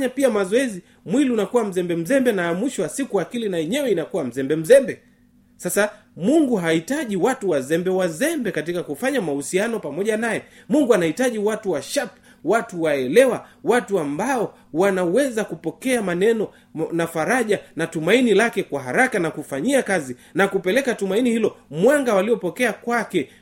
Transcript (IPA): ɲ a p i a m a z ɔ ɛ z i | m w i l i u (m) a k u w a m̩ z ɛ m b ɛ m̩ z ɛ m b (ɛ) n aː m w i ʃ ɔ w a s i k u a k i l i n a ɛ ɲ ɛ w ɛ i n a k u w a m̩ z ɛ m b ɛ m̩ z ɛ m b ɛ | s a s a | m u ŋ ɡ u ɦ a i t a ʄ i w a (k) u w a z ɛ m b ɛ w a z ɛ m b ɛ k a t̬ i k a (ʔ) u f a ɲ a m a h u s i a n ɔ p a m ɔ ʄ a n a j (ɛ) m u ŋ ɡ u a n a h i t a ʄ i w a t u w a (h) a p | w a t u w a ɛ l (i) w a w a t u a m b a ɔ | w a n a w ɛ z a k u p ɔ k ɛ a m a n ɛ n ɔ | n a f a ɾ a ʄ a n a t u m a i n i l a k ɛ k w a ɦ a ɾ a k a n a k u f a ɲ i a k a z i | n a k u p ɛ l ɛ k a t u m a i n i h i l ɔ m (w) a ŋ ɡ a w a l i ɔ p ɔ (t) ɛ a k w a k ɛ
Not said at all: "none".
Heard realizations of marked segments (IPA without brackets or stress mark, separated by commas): n, ɛ, t, k, ɛ, ʃ, ɛ, w, k